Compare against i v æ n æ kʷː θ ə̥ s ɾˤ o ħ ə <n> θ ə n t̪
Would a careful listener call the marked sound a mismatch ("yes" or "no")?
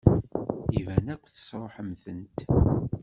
yes